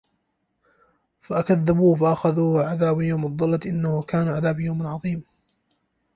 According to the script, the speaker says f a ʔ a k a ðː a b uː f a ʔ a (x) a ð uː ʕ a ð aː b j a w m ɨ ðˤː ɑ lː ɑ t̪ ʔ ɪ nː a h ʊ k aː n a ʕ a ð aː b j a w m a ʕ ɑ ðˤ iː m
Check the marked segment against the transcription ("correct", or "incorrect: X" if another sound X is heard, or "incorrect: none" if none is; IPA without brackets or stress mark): correct